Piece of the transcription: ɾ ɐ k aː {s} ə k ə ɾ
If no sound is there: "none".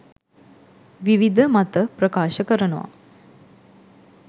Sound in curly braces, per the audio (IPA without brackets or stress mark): ʃ